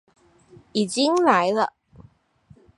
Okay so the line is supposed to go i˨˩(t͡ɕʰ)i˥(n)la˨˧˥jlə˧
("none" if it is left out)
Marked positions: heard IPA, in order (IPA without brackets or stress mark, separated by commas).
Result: t͡ɕ, ŋ